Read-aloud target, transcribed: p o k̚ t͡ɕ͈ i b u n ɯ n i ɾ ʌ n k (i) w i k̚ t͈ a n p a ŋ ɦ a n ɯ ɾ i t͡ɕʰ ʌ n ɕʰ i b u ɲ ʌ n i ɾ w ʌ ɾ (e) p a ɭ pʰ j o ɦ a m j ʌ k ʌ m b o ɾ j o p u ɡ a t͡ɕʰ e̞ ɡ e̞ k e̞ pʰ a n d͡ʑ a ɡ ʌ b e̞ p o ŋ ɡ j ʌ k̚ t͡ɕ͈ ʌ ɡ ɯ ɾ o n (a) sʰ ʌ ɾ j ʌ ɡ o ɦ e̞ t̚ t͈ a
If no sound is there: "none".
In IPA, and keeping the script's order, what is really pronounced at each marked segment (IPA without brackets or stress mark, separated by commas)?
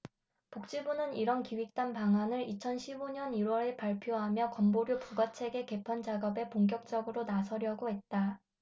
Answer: i, e, a